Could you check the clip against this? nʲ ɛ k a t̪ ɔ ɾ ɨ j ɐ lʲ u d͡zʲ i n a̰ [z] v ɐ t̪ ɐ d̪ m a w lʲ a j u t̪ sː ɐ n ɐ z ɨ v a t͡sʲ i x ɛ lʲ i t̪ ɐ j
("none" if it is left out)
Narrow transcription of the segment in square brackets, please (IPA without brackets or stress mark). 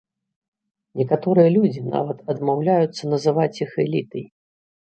none